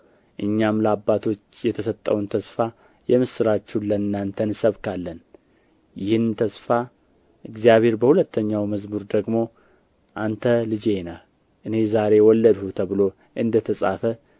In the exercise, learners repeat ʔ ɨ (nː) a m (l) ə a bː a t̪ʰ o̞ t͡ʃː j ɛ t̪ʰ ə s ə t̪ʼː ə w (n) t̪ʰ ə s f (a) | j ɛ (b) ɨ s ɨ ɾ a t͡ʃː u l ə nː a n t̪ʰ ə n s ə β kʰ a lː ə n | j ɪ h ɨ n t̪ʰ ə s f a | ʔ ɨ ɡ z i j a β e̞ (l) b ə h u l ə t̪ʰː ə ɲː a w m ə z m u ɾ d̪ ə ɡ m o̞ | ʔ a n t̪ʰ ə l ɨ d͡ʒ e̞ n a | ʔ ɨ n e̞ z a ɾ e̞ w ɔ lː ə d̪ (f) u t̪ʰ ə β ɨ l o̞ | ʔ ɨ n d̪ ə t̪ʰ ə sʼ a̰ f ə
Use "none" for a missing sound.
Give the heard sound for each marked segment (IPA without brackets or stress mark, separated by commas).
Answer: ɲː, l, n, a, m, ɾ, h